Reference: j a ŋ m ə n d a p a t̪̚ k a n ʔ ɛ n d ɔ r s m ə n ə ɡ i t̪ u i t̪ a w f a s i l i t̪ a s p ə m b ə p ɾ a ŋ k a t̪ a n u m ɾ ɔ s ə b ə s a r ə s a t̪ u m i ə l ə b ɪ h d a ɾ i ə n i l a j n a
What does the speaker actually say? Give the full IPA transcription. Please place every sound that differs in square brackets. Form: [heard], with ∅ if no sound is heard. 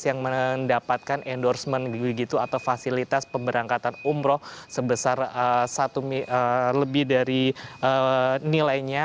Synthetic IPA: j a ŋ m ə n d a p a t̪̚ k a n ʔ ɛ n d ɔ r s m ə n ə ɡ i t̪ u [a] t̪ a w f a s i l i t̪ a s p ə m b ə [∅] ɾ a ŋ k a t̪ a n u m ɾ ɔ s ə b ə s a r ə s a t̪ u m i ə l ə b ɪ h d a ɾ i ə n i l a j [ɲ] a